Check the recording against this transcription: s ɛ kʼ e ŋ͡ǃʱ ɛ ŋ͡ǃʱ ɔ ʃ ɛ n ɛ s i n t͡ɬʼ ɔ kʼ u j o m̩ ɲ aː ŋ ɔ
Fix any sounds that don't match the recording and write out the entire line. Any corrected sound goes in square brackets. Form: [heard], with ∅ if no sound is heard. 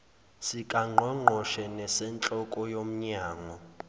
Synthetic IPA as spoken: s [i] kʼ [a] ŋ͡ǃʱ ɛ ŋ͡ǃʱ ɔ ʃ ɛ n ɛ s [ɛ] n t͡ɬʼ ɔ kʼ [ɔ] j o m̩ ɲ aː ŋ ɔ

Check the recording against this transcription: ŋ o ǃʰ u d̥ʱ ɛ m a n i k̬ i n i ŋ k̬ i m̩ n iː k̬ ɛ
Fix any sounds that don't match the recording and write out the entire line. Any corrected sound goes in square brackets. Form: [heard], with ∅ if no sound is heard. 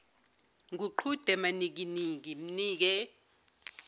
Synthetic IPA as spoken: ŋ [u] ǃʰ u d̥ʱ ɛ m a n i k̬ i n i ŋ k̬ i m̩ n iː k̬ ɛ

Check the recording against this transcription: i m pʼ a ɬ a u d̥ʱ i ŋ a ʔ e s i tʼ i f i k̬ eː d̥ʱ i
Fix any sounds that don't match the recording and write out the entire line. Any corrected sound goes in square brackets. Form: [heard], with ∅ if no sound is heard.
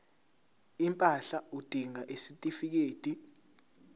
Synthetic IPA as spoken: i m pʼ a ɬ a u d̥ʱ i ŋ a ʔ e s i tʼ i f i k̬ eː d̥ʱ i

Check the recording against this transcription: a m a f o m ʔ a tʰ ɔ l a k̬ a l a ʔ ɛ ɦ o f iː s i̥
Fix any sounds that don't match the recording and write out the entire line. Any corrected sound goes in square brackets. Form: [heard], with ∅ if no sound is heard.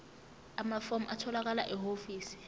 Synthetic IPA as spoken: a m a f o m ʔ a tʰ ɔ l a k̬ a l a ʔ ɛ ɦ o f iː s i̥

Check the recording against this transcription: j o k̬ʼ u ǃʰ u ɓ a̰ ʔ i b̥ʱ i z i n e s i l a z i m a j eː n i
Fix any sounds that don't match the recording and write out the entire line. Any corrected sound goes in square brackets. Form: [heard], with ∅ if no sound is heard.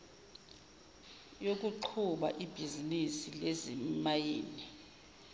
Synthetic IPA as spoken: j o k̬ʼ u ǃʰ u ɓ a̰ ʔ i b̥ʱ i z i n [i] s i l [e] z i m a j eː n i

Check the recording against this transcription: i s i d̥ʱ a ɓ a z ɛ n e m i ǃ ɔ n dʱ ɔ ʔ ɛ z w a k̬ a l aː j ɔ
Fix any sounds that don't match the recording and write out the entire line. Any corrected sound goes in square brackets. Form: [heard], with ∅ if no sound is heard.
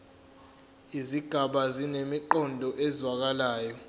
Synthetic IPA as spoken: i [z] i [ɡ̥ʱ] a ɓ a z [i] n e m i ǃ ɔ n dʱ ɔ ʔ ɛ z w a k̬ a l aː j ɔ

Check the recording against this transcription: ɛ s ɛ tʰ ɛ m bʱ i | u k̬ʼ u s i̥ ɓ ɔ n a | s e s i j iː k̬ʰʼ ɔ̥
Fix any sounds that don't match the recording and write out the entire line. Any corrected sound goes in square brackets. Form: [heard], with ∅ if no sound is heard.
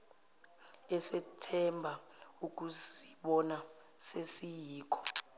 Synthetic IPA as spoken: ɛ s ɛ tʰ ɛ m bʱ [a] | u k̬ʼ u s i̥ ɓ ɔ n a | s e s i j iː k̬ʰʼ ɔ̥

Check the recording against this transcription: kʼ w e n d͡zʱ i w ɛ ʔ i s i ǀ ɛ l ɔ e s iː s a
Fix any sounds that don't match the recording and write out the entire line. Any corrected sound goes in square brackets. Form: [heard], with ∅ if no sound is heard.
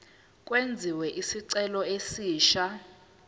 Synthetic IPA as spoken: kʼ w e n d͡zʱ i w ɛ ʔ i s i ǀ ɛ l ɔ e s iː [ʃ] a

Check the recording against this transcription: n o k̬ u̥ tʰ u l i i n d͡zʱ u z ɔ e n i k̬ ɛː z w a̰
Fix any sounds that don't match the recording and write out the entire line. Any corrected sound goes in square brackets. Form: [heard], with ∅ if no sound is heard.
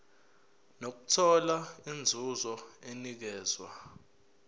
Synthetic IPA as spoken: n o k̬ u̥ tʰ [ɔ] l [a] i n d͡zʱ u z ɔ e n i k̬ ɛː z w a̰

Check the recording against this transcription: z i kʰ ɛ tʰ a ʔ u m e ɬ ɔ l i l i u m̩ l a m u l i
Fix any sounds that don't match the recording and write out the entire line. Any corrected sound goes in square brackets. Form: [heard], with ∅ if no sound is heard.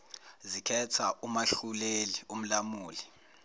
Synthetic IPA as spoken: z i kʰ ɛ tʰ a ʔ u m [a] ɬ [u] l [e] l i u m̩ l a m [uː] l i

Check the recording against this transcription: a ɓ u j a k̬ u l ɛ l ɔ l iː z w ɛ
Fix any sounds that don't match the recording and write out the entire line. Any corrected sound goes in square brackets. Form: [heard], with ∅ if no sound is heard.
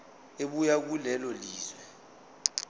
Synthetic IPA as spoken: [e] ɓ u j a k̬ u l ɛ l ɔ l iː z w ɛ

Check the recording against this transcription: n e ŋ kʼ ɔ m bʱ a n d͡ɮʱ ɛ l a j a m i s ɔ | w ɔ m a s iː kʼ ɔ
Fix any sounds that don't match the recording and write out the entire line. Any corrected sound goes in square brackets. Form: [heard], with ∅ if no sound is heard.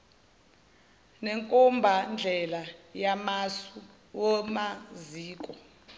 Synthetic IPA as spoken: n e ŋ kʼ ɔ m bʱ a n d͡ɮʱ ɛ l a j a m [a] s [u] | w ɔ m a [z] iː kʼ ɔ

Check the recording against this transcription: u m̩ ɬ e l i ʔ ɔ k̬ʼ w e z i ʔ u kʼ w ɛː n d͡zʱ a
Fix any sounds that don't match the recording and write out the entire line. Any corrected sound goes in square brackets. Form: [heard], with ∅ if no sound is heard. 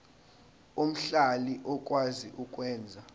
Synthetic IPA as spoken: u m̩ ɬ [a] l i ʔ ɔ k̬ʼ w [a] z i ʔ u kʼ w ɛː n d͡zʱ a

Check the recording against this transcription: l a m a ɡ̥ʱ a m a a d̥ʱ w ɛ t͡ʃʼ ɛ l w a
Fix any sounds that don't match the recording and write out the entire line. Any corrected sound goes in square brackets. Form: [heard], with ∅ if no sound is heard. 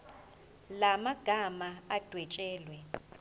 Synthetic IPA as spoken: l a m a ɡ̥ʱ a m a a d̥ʱ w ɛ t͡ʃʼ [ɛː] l w [ɛ]

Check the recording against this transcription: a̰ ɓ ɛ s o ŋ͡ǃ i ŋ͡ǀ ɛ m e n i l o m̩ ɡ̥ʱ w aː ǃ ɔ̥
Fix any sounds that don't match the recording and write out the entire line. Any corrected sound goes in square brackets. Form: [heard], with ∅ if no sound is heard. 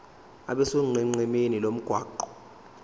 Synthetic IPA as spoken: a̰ ɓ ɛ s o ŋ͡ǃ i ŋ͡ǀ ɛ m e n i l o m̩ ɡ̥ʱ w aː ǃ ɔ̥

